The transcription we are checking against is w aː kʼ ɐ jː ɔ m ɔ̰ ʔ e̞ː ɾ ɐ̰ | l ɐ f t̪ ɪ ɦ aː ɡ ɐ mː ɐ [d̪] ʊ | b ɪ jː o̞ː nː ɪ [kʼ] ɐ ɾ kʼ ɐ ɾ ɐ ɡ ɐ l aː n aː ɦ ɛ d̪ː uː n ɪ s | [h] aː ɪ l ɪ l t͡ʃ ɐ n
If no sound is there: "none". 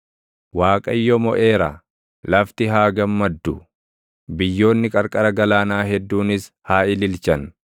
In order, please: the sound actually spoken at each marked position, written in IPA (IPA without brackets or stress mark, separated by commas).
d̪ː, kʼ, h